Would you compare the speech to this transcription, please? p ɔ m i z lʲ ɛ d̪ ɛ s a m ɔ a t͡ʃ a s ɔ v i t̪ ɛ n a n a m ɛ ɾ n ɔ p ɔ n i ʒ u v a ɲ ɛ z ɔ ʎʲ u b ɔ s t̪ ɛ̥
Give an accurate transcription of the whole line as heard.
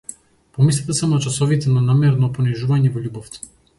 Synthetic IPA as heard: p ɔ m i s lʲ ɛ t̪ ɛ s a m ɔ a t͡ʃ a s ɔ v i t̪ ɛ n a n a m ɛ ɾ n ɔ p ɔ n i ʒ u v a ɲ ɛ v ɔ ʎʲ u b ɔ f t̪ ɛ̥